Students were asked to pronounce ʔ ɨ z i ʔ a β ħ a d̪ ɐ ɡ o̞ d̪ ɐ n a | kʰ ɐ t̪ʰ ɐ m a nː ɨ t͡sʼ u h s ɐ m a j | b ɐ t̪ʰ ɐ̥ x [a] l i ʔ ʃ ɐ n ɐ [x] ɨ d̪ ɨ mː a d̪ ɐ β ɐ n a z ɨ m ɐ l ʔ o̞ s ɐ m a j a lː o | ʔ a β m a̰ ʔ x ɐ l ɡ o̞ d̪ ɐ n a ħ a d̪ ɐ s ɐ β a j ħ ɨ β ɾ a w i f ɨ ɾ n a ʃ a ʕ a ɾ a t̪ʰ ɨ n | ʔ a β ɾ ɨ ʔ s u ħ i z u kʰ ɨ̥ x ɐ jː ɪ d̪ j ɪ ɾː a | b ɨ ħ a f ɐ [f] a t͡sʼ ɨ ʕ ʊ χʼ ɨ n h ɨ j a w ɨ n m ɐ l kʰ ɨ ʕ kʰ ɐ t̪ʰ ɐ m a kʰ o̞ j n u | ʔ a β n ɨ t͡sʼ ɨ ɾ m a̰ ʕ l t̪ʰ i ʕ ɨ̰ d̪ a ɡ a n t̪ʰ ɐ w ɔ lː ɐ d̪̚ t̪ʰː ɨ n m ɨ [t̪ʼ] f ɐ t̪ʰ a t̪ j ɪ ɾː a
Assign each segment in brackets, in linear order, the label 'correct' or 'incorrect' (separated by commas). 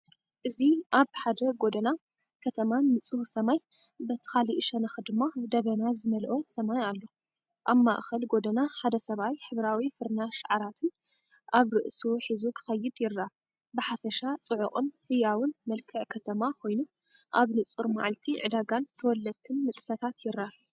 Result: correct, correct, incorrect, correct